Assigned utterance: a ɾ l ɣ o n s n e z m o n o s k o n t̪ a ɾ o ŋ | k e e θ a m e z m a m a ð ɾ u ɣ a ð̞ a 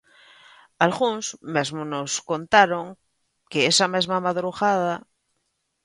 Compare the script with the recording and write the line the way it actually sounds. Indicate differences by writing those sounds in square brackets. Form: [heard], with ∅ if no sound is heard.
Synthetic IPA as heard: a [∅] l ɣ [u] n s [m] e z m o n o s k o n t̪ a ɾ o ŋ | k e e [s] a m e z m a m a ð ɾ u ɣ a ð̞ a